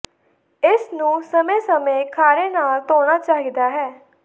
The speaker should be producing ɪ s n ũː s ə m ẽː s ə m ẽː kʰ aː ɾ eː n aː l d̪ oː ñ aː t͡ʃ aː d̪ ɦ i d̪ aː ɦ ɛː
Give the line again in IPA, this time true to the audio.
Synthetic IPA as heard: ɪ s n ũː s ə m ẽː s ə m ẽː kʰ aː ɾ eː n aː l t̪ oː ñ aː t͡ʃ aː ɦ i d̪ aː ɦ ɛː